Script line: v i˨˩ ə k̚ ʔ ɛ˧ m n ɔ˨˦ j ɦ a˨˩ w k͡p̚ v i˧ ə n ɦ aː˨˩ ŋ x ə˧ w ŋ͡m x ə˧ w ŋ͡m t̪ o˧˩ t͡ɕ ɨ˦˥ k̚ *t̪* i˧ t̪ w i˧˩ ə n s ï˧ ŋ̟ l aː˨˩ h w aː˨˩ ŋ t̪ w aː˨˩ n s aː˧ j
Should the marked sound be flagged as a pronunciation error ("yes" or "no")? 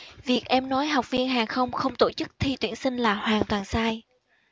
yes